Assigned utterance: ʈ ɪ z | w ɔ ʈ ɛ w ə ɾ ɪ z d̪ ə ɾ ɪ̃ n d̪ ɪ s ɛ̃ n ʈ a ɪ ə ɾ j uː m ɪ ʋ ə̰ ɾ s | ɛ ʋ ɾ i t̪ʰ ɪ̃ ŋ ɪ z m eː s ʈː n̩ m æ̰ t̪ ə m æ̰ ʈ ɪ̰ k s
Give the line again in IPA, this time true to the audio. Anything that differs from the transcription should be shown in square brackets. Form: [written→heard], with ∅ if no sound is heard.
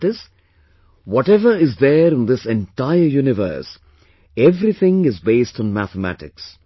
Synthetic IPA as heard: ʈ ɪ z | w ɔ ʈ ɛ [w→ʋ] ə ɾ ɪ z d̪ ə ɾ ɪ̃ n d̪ ɪ s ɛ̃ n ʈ a ɪ ə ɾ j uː [m→n] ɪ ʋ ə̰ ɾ s | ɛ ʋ ɾ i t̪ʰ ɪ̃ ŋ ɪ z [m→b] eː s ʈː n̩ m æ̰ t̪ ə m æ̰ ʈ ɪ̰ k s